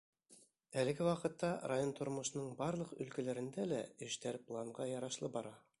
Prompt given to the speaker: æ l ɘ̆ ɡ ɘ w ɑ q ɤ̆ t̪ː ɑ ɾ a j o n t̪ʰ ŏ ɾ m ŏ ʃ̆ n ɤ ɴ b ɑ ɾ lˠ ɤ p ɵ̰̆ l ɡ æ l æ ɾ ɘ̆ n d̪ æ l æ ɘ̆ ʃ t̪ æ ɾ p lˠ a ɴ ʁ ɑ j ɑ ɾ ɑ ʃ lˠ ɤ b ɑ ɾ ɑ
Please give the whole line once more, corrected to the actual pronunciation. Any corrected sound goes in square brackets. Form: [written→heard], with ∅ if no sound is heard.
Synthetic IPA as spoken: æ l ɘ̆ ɡ ɘ w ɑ q ɤ̆ t̪ː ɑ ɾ a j o n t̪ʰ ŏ ɾ m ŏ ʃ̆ n ɤ ɴ b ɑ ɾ lˠ ɤ [p→q] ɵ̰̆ l [ɡ→k] æ l æ ɾ ɘ̆ n d̪ æ l æ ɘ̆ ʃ t̪ æ ɾ p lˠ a ɴ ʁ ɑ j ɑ ɾ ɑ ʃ lˠ ɤ b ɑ ɾ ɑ